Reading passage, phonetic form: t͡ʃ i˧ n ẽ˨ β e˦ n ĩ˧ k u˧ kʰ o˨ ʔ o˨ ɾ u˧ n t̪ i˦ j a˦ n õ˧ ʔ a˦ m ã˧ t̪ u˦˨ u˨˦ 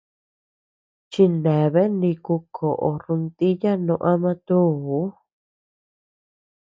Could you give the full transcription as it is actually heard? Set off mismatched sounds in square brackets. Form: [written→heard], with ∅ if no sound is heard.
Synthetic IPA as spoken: t͡ʃ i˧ n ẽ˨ β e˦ n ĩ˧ k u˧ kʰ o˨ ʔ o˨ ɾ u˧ n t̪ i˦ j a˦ n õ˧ ʔ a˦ m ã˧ t̪ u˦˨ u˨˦